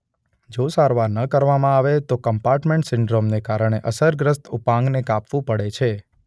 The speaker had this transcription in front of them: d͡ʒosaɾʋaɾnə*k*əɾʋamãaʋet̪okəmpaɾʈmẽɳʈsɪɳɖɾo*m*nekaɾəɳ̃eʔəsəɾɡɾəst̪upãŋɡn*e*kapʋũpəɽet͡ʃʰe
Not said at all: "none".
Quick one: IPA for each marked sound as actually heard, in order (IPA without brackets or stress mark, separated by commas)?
k, m, e